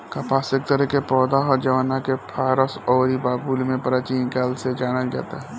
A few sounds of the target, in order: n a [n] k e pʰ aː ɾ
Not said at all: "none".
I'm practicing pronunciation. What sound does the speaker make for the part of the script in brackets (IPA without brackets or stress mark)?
none